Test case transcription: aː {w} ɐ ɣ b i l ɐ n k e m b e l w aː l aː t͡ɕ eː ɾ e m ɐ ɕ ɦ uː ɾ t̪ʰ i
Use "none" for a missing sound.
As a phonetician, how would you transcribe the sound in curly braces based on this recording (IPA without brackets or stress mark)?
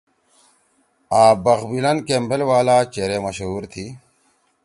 b